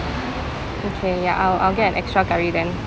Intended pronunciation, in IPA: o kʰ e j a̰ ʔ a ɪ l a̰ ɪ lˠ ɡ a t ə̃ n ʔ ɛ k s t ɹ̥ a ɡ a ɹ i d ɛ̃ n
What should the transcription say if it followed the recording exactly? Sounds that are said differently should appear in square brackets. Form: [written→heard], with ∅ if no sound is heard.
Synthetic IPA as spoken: o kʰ e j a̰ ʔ a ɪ l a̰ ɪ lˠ ɡ [a→ɛ] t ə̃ n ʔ ɛ k s t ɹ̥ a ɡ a ɹ i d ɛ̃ n